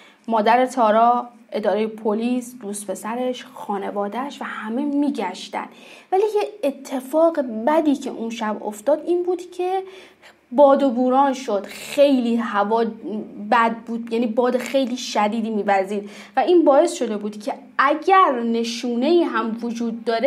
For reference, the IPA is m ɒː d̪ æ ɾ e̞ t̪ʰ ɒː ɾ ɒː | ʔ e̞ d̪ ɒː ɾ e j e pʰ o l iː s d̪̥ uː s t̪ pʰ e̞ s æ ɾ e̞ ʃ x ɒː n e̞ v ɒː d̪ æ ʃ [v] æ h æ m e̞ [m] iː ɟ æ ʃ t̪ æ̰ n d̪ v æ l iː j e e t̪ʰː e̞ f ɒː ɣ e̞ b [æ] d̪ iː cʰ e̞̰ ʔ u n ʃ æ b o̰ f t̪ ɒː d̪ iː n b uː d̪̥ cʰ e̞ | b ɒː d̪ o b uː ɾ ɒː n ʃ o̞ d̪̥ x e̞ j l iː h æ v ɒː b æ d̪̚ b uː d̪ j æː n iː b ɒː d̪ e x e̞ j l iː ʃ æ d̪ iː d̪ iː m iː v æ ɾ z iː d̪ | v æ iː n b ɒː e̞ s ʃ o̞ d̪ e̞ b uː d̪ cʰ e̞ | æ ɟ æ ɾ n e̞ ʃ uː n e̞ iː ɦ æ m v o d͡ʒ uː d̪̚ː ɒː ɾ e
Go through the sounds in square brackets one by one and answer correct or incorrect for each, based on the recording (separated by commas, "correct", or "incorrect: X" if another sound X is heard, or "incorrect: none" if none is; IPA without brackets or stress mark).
correct, correct, correct